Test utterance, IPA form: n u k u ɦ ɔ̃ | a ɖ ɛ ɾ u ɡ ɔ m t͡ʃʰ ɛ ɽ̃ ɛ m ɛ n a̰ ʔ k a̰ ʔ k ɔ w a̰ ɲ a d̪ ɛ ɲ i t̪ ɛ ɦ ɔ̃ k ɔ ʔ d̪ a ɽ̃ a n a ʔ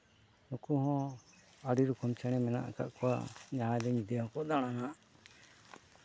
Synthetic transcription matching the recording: n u k u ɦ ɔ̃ | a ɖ i ɾ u k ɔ m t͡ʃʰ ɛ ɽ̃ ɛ m ɛ n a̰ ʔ k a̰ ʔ k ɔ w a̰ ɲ a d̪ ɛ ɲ i d̪ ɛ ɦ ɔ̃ k ɔ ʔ d̪ a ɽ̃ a n a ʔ